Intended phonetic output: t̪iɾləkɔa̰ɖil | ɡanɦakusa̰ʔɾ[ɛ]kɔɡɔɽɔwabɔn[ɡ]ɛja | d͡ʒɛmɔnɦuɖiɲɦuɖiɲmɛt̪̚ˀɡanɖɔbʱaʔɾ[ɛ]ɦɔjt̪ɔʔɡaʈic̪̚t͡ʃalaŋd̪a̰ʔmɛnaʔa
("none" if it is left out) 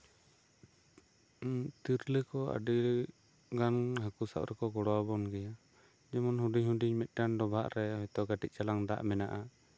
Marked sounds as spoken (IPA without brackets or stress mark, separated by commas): ɛ, ɡ, ɛ